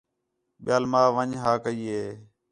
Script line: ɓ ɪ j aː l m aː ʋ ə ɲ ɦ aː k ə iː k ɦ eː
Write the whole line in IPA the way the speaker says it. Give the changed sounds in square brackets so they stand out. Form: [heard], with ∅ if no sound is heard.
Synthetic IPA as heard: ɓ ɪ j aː l m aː ʋ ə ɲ ɦ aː k ə iː [∅] ɦ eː